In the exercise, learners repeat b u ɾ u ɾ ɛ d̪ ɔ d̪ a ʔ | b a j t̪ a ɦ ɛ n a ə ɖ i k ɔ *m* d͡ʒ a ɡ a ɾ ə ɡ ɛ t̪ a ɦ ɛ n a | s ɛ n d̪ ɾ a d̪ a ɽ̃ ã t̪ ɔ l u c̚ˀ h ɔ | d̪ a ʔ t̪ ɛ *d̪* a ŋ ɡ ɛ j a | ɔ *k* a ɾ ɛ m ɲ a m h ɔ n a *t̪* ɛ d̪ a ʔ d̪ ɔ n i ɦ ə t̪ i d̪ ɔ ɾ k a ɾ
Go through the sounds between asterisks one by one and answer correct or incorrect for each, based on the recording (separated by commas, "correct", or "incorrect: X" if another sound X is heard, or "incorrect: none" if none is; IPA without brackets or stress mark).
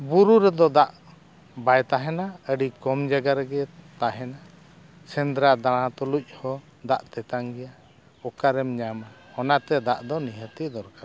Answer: correct, incorrect: t̪, correct, correct